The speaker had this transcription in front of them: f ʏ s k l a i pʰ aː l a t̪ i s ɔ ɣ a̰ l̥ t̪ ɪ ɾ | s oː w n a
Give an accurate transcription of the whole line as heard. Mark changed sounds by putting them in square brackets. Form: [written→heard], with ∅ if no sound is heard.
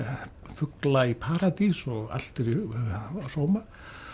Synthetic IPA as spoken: f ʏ [s→∅] k l a i pʰ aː [l→ɾ] a t̪ i s ɔ ɣ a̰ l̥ t̪ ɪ ɾ | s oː w [n→m] a

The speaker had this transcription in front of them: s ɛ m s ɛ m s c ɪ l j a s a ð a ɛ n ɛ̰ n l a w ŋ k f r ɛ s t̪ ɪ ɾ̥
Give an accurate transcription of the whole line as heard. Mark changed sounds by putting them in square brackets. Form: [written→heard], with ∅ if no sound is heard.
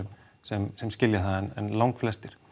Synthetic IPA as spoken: s ɛ m s ɛ m s c ɪ l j a [s→θ] a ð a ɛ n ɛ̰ n l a w ŋ k f [r→l] ɛ s t̪ ɪ ɾ̥

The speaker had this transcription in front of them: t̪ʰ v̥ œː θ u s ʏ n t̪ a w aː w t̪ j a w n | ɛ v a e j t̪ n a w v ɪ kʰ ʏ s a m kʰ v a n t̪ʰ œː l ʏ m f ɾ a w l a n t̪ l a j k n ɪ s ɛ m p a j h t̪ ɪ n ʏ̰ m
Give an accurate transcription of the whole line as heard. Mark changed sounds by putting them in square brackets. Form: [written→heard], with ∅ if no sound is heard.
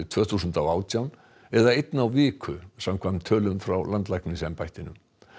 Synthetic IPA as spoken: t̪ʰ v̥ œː θ u s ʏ n t̪ a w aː w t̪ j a w n | ɛ [v→ð] a e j t̪ n a w v [ɪ→ɪː] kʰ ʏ s a m kʰ v a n t̪ʰ œː l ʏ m f ɾ a w l a n t̪ l a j k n ɪ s ɛ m p a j h t̪ ɪ n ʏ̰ m

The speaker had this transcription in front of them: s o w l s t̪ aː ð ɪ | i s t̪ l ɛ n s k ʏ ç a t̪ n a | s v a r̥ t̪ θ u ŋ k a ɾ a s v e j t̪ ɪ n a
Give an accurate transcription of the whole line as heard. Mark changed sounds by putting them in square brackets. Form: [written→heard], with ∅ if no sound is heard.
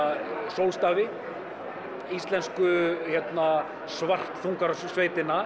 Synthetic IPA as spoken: s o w l s t̪ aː [ð→v] ɪ | i s t̪ l ɛ n s k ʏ ç [a→ɛ] t̪ n a | s v a r̥ t̪ θ u ŋ k a ɾ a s v e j t̪ ɪ n a

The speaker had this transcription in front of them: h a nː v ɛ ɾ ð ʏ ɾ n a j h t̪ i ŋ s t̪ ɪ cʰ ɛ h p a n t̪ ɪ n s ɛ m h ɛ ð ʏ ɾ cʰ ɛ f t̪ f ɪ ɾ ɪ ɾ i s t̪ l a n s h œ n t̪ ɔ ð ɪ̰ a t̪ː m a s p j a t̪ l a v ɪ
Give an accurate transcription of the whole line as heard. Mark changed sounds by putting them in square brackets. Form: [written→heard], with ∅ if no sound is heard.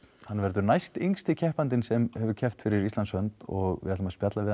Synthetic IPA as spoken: h a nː v ɛ ɾ ð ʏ ɾ n a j [h→s] t̪ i ŋ s t̪ ɪ cʰ ɛ h p a n t̪ ɪ n s ɛ m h ɛ [ð→v] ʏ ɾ cʰ ɛ f t̪ f ɪ ɾ ɪ ɾ i s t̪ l a n s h œ n t̪ ɔ [ð→ɣ] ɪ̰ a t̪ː m a s p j a t̪ l a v ɪ

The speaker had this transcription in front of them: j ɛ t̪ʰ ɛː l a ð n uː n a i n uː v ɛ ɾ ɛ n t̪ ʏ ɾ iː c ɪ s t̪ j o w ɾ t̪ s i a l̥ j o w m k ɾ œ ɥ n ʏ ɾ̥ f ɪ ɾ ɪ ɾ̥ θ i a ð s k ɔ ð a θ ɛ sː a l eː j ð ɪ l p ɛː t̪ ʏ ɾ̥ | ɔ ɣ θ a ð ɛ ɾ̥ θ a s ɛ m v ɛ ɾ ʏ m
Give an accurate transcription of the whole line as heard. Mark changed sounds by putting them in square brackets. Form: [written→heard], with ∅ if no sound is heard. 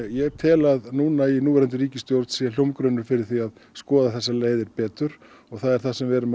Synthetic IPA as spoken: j ɛ t̪ʰ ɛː l a ð n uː n a i n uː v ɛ ɾ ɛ n t̪ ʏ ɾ iː c ɪ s t̪ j o w ɾ t̪ s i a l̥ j o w m k ɾ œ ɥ n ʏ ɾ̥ f ɪ ɾ ɪ ɾ̥ θ i a ð s k [ɔ→ɔː] ð a θ ɛ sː a l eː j ð ɪ [l→ɾ] p ɛː t̪ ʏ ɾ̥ | ɔ ɣ θ a ð ɛ ɾ̥ θ a s ɛ m v ɛ ɾ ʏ m

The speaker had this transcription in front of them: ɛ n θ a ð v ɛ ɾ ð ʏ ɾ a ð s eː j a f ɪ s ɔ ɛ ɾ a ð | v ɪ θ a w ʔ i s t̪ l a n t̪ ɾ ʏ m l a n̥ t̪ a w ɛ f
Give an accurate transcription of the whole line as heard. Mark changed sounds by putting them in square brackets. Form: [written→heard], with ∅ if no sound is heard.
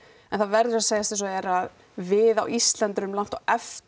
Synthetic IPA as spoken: ɛ n θ a ð v ɛ ɾ ð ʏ ɾ a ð s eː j a [f→s] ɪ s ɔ ɛ ɾ a ð | v ɪ [θ→ð] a w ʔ i s t̪ l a n t̪ ɾ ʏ m l a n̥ t̪ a w ɛ f

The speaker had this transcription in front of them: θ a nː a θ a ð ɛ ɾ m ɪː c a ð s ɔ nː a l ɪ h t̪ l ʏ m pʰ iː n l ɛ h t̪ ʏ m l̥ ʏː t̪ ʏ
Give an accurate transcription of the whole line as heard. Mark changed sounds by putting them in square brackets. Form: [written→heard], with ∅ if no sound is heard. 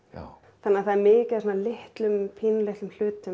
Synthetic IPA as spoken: θ a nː a θ a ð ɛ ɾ m ɪː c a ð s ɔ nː a l ɪ h t̪ l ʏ m pʰ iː n l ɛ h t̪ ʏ m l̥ ʏː t̪ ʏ

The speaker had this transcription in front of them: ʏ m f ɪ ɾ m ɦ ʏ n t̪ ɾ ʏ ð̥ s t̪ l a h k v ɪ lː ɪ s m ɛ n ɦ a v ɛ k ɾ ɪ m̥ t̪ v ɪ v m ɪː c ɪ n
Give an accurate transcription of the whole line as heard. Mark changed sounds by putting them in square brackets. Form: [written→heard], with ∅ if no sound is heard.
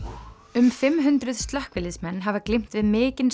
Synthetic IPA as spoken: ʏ m f ɪ [ɾ→∅] m ɦ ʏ n t̪ ɾ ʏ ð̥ s t̪ l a h k v ɪ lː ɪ s m ɛ [n→nː] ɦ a v [ɛ→a] k [ɾ→l] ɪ m̥ t̪ v ɪ [v→ð] m ɪː c ɪ n

